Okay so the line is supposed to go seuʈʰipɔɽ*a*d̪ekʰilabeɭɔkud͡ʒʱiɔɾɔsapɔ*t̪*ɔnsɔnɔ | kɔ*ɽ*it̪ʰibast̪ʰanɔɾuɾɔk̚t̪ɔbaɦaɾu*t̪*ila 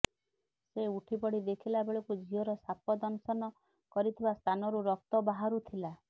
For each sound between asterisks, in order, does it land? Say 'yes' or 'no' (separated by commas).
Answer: no, no, no, no